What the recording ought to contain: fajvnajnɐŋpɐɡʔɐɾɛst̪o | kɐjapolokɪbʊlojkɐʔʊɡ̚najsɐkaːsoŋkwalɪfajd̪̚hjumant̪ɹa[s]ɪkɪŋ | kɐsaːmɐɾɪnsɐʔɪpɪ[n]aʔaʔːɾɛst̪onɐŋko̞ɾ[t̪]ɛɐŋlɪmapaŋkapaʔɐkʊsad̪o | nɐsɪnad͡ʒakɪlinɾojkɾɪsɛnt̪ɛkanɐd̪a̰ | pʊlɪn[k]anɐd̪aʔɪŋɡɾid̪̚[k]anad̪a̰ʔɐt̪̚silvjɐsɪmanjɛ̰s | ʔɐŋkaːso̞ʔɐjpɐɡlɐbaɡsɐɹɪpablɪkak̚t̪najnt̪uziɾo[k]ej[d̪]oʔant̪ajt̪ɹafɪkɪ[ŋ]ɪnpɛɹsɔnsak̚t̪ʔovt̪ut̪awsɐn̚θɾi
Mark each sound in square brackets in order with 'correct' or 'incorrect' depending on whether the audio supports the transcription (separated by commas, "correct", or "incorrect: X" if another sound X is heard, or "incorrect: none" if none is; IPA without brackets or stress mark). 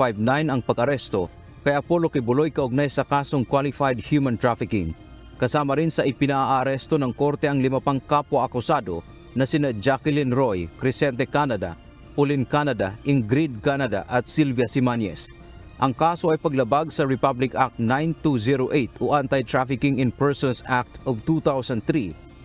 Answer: incorrect: f, correct, correct, correct, correct, incorrect: ʔ, incorrect: t̪, correct